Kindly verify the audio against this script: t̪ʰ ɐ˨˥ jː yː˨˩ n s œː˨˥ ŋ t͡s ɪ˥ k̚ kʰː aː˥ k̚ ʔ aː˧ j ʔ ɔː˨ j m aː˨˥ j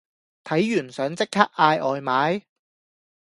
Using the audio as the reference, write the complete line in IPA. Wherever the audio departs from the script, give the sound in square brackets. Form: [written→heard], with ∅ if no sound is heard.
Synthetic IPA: t̪ʰ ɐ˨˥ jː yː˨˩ n s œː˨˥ ŋ t͡s ɪ˥ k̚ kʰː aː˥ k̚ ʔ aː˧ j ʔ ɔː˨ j m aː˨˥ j